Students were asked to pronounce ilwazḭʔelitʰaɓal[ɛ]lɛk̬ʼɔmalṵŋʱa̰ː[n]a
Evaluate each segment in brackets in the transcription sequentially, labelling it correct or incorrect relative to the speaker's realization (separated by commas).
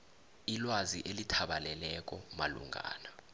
correct, correct